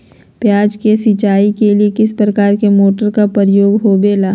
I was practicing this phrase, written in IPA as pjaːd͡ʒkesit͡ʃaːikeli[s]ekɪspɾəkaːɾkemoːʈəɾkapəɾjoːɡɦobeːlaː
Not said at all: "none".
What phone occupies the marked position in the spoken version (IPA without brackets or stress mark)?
none